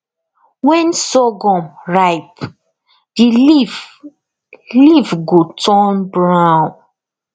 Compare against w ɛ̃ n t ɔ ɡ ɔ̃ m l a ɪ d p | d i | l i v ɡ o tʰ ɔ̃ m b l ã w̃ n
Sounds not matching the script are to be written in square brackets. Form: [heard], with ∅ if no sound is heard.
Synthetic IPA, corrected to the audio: w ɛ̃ n [s] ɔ ɡ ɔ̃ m [ɹ] a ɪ [∅] p | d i | l i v ɡ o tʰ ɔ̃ [n] b [ɹ] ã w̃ n